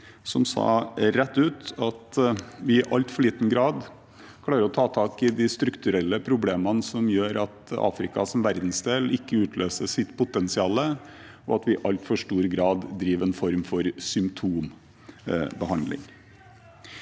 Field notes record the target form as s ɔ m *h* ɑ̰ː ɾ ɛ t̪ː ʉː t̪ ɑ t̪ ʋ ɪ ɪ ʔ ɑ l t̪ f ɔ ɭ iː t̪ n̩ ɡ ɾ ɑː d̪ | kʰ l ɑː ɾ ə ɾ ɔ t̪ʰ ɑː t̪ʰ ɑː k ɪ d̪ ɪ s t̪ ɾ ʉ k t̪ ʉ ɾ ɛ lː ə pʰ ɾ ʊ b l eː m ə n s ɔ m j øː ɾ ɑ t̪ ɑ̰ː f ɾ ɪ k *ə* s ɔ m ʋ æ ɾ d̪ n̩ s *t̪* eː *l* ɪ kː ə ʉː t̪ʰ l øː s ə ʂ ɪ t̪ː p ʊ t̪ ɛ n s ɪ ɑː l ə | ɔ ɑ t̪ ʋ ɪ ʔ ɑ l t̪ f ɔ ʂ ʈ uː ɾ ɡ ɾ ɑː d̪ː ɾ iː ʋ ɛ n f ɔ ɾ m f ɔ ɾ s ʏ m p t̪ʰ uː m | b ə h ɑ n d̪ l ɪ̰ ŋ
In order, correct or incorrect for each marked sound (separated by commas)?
incorrect, incorrect, incorrect, correct